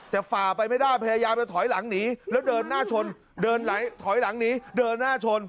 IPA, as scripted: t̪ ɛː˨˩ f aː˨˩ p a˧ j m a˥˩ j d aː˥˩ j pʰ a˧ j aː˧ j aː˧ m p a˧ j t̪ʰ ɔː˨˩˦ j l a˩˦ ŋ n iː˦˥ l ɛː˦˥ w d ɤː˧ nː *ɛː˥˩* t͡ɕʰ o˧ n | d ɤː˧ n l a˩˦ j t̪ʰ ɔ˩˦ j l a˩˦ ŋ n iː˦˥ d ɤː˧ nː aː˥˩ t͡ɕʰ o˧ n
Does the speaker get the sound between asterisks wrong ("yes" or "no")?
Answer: yes